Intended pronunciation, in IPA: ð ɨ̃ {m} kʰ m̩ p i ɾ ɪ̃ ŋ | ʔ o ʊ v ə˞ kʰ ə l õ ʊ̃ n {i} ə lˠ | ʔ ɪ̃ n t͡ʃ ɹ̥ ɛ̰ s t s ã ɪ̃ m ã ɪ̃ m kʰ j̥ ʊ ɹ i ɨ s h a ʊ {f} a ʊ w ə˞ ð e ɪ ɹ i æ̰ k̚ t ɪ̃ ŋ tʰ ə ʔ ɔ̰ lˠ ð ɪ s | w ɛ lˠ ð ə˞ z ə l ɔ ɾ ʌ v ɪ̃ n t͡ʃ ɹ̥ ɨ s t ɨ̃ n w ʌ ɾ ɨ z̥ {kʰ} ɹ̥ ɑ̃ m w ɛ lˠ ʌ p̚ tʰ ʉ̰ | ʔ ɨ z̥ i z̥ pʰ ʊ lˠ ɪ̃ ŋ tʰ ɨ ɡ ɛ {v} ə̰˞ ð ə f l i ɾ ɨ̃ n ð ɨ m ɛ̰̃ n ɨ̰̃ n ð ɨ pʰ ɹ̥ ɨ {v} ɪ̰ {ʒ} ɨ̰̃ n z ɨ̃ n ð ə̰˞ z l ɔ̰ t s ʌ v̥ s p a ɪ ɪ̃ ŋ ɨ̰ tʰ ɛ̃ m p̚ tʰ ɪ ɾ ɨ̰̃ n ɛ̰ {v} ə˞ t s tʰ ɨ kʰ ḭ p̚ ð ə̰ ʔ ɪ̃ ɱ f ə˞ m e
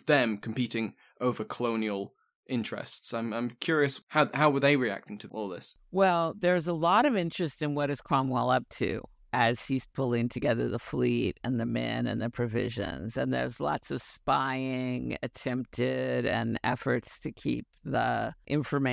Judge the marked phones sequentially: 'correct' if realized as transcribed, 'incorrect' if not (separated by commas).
correct, correct, incorrect, correct, incorrect, correct, correct, incorrect